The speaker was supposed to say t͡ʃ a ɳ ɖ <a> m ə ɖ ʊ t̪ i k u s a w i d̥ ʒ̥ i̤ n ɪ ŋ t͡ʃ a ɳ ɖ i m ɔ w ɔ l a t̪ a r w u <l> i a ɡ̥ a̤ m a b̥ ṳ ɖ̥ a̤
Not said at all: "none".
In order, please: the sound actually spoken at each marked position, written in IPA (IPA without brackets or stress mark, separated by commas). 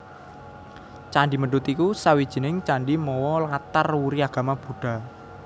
i, ɾ